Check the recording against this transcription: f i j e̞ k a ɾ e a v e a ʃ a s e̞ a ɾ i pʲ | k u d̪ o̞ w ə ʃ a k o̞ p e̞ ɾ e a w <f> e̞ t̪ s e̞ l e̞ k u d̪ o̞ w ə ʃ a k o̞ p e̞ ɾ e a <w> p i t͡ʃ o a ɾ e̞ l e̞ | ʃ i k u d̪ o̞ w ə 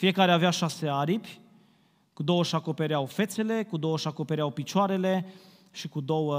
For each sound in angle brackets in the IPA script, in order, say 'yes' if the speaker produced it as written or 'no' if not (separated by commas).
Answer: yes, yes